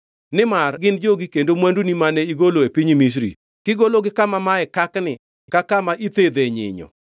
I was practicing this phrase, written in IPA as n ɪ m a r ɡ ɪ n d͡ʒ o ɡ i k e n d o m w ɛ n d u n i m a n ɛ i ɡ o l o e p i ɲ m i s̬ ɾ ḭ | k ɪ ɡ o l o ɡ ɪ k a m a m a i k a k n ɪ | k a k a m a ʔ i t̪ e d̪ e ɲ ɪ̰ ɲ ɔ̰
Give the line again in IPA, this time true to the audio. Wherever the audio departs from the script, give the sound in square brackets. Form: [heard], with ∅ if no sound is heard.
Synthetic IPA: n ɪ m a r ɡ ɪ n d͡ʒ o ɡ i k e n d o m w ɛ n d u n i m a n ɛ i ɡ o l o e p i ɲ m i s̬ ɾ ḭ | k ɪ ɡ o l o ɡ ɪ k a m a m a [ɛ] k a k n ɪ | k a k a m a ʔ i t̪ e d̪ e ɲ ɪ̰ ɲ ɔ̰